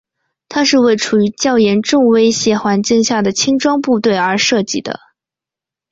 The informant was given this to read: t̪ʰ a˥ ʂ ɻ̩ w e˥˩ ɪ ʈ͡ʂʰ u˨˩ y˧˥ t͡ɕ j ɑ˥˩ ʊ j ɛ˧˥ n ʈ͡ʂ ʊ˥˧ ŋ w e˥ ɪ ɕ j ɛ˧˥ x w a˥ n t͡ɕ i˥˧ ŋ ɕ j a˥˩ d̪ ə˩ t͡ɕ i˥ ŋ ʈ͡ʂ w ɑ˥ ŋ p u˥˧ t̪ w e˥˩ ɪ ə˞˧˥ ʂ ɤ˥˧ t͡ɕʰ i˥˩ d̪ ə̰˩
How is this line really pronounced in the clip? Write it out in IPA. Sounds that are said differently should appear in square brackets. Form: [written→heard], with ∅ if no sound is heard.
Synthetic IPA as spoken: t̪ʰ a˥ ʂ ɻ̩ w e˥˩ ɪ ʈ͡ʂʰ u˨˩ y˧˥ t͡ɕ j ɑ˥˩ ʊ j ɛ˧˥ n ʈ͡ʂ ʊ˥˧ ŋ w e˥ ɪ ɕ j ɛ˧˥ x w [a˥→a˧˥] n t͡ɕ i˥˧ ŋ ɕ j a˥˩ d̪ ə˩ [t͡ɕ→t͡ɕʰ] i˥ ŋ ʈ͡ʂ w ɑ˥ ŋ p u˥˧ t̪ w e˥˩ ɪ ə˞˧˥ ʂ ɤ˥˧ [t͡ɕʰ→t͡ɕ] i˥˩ d̪ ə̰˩